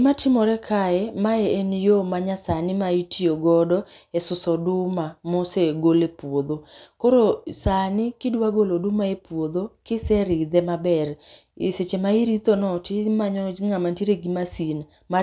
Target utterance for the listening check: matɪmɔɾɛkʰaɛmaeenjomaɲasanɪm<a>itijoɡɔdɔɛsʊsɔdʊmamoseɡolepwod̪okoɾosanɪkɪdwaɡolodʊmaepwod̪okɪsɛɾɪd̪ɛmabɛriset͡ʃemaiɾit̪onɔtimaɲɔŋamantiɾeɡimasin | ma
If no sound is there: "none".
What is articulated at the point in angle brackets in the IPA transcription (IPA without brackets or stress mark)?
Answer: a